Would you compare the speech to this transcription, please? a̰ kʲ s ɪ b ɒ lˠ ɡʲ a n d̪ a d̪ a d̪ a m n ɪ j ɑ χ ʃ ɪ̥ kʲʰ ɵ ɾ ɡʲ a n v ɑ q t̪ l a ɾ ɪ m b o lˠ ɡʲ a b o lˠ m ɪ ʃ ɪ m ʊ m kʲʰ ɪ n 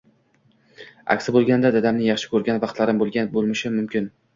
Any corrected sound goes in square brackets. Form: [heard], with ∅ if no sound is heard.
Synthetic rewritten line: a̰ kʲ s ɪ b [o] lˠ ɡʲ a n d̪ a d̪ a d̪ a m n ɪ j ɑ χ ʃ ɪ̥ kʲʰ ɵ ɾ ɡʲ a n v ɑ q t̪ l a ɾ ɪ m b o lˠ ɡʲ a b o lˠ m ɪ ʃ ɪ m ʊ m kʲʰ ɪ n